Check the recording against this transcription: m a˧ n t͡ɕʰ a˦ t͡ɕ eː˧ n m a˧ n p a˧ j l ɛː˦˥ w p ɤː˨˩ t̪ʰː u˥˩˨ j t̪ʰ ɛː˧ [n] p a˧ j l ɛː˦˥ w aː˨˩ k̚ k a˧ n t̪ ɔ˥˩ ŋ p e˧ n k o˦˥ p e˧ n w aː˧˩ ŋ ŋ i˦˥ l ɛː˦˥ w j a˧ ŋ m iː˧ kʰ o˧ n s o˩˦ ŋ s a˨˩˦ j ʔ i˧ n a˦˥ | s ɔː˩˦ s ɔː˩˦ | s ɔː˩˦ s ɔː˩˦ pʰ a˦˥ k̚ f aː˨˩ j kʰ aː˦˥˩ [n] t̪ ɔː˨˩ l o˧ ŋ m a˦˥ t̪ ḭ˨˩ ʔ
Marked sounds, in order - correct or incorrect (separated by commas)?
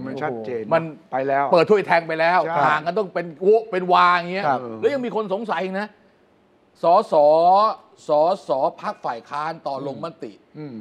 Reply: incorrect, correct